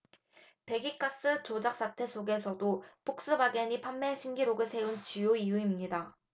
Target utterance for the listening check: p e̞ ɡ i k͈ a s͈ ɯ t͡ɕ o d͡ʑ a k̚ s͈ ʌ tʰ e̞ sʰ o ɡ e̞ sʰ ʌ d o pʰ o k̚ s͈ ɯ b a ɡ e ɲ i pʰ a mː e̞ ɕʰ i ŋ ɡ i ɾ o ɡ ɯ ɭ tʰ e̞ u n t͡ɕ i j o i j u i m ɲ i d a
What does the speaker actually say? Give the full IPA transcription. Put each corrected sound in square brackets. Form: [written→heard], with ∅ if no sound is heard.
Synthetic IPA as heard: p e̞ ɡ i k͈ a s͈ ɯ t͡ɕ o d͡ʑ a k̚ s͈ [ʌ→a] tʰ e̞ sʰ o ɡ e̞ sʰ ʌ d o pʰ o k̚ s͈ ɯ b a ɡ e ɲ i pʰ a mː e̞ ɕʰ i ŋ ɡ i ɾ o ɡ ɯ ɭ [tʰ→sʰ] e̞ u n t͡ɕ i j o i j u i m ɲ i d a